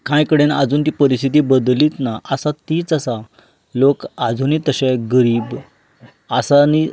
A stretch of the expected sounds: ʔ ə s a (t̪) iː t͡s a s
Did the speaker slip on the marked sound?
no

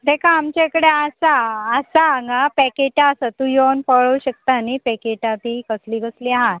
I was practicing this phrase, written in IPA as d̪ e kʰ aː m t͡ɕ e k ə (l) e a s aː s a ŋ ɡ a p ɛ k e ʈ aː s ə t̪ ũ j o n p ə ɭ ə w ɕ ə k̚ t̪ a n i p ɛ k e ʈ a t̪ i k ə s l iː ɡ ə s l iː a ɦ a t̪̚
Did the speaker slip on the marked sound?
yes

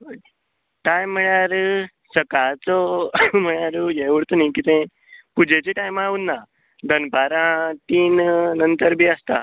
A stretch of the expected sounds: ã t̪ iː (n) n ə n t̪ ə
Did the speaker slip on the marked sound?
no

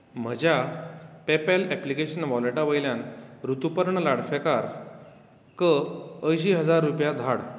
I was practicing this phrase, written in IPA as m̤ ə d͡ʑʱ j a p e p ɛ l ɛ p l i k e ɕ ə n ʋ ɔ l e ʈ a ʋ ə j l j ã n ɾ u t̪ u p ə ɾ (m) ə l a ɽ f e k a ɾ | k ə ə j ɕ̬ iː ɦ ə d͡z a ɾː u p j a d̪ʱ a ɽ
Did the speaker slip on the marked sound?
yes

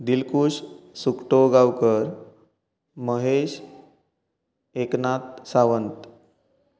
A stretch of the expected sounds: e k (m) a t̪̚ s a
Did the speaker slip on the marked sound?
yes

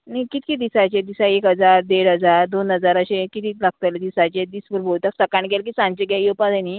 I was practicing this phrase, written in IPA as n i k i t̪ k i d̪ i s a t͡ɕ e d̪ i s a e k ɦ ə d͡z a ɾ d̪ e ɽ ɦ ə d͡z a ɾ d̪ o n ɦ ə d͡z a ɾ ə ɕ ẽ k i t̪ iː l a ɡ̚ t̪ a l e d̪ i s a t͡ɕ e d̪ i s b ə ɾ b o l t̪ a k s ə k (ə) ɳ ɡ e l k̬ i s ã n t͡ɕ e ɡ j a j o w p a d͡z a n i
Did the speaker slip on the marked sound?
yes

